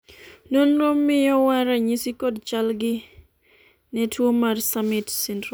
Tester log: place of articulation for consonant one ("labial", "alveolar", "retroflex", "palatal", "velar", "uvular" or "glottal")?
alveolar